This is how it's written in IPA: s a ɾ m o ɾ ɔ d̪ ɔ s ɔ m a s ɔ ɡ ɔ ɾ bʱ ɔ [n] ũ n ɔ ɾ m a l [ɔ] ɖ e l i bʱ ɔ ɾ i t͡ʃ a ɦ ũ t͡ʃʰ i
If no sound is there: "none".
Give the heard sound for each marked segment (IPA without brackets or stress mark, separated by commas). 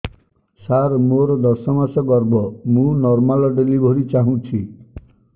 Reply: m, ɔ